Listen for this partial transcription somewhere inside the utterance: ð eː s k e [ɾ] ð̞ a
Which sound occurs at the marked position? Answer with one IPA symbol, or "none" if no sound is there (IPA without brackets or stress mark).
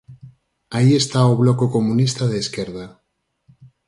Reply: ɾ